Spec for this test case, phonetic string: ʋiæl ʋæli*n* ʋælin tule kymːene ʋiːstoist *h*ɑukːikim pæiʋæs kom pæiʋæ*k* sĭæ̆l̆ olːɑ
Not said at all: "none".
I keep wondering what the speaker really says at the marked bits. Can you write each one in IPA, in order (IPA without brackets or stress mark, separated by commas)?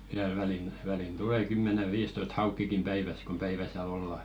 n, h, none